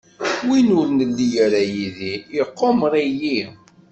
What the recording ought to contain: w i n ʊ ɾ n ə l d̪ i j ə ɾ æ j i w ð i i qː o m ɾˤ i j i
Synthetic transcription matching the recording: w i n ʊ ɾ n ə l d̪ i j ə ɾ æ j i ð i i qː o m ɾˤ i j i